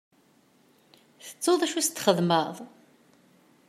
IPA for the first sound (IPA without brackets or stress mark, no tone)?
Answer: θ